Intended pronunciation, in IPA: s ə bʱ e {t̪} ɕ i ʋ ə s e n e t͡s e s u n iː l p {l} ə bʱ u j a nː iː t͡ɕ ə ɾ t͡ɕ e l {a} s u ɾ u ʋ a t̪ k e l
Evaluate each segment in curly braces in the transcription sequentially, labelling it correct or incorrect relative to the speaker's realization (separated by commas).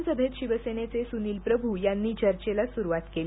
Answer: correct, incorrect, correct